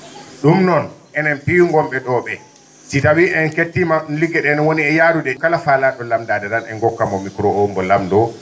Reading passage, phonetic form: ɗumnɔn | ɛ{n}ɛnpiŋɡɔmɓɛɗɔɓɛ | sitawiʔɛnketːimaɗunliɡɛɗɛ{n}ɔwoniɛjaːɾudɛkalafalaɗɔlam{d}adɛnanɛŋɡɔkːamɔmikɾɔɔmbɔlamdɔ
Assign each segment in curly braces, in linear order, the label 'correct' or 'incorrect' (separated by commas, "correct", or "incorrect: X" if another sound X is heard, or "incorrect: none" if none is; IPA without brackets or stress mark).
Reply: correct, correct, correct